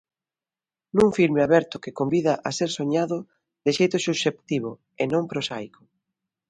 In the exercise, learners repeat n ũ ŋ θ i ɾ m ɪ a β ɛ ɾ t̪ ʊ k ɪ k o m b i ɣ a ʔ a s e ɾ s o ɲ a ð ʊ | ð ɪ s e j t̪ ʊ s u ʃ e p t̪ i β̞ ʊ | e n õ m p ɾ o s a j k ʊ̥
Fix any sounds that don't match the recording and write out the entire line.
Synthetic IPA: n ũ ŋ f i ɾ m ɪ a β ɛ ɾ t̪ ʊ k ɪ k o m b i ð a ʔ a s e ɾ s o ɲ a ð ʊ | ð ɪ ʃ e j t̪ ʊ s u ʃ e p t̪ i β̞ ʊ | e n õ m p ɾ o s a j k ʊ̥